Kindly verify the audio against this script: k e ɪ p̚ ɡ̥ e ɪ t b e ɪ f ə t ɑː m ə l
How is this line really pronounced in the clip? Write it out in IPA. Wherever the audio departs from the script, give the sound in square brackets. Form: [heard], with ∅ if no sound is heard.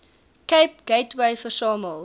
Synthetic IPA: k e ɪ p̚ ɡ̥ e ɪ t [w] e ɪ f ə [s] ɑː m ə l